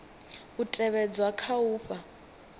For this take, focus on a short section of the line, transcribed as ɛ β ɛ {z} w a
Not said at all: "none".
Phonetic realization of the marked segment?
d͡z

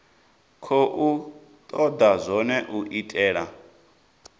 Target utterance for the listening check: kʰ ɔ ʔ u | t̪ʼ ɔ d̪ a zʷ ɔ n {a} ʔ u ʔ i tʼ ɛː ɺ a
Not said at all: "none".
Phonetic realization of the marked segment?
ɛ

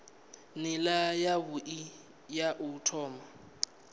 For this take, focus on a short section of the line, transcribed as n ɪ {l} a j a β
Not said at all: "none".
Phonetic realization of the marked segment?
l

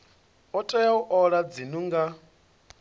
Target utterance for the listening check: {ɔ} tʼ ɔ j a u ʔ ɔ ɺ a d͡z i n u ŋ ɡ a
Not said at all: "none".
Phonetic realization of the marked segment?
ɔ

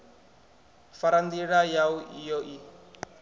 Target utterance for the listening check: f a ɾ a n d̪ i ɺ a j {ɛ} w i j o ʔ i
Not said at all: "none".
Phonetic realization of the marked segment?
a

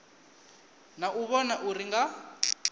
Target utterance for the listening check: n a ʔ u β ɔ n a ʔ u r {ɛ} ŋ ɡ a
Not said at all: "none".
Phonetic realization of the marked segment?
i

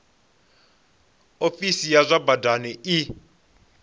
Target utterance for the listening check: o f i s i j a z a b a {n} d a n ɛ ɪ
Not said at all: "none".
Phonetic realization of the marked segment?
none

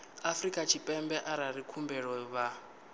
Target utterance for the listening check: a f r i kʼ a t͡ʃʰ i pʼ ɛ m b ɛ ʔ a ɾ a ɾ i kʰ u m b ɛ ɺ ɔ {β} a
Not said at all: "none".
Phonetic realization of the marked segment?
β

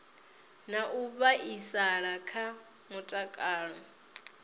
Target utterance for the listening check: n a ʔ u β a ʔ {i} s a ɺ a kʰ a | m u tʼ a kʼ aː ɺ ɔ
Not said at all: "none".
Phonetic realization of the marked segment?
i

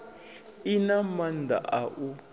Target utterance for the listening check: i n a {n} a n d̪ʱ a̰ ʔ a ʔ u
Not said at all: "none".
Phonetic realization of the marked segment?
m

